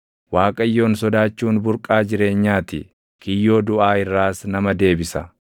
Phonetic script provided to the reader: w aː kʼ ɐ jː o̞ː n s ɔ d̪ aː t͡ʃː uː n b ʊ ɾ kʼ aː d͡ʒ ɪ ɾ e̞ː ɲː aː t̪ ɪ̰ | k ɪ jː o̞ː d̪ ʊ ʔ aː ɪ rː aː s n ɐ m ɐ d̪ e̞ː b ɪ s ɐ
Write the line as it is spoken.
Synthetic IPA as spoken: w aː kʼ ɐ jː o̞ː n s ɔ d̪ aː t͡ʃː uː n b ʊ ɾ kʼ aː d͡ʒ ɪ ɾ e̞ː ɲː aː t̪ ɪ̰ | k ɪ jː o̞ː d̪ ʊ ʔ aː ɪ rː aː s n ɐ m ɐ d̪ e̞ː b ɪ s ɐ